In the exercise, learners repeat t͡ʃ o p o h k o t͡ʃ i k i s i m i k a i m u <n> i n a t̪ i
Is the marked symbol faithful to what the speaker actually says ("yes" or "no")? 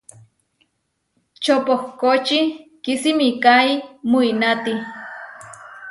no